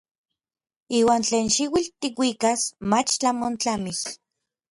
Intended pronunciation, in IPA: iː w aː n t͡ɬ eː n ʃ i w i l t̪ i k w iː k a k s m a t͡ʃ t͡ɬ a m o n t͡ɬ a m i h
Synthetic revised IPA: iː w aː n t͡ɬ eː n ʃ i w i l t̪ i k w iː k a s m a t͡ʃ t͡ɬ a m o n t͡ɬ a m i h